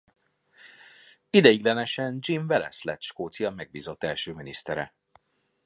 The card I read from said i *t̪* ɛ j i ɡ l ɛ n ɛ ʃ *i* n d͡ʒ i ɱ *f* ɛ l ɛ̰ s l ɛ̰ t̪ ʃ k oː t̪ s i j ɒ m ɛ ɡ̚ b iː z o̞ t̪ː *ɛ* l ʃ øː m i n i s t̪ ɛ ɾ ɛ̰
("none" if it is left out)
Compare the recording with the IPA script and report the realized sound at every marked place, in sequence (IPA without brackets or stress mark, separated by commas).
d̪, ɛ, v, ɛ